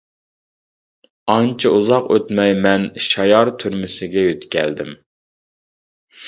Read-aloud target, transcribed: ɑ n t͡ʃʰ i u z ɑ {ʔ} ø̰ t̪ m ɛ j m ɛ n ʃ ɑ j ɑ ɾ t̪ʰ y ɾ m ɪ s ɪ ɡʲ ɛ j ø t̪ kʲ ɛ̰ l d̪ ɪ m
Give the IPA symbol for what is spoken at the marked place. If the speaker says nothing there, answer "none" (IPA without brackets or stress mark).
q